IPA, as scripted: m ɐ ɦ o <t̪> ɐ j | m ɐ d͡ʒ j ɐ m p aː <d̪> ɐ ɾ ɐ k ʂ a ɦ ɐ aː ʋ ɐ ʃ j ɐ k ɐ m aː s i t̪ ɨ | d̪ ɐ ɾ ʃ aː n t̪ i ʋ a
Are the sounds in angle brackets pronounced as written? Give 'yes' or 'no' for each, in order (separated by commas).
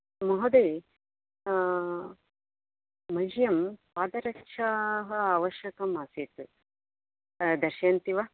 no, yes